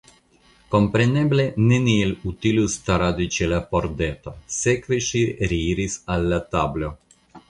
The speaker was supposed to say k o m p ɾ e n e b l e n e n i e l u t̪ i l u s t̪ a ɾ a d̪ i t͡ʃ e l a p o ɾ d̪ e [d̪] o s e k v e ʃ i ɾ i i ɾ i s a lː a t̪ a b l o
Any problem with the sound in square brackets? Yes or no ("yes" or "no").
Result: yes